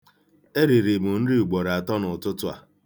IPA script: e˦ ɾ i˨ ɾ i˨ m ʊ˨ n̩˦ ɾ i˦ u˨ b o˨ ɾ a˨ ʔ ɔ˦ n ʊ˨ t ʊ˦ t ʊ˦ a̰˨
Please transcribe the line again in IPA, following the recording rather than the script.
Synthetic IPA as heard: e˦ ɾ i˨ ɾ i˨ m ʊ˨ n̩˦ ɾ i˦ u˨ ɡ͡b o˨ ɾ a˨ t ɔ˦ n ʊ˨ t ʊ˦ t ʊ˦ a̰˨